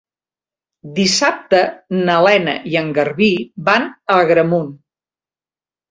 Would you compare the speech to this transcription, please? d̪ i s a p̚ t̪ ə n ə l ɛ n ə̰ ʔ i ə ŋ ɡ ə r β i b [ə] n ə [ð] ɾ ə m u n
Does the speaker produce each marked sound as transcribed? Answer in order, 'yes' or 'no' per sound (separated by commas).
no, no